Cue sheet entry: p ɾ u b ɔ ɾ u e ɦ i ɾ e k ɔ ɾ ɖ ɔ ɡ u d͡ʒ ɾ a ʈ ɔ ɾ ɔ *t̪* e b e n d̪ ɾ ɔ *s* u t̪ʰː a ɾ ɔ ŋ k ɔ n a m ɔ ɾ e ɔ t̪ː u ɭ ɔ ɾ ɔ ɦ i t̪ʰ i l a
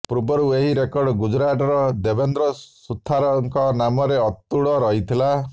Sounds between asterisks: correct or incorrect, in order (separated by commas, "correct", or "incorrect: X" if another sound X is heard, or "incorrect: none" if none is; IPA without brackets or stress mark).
incorrect: d̪, correct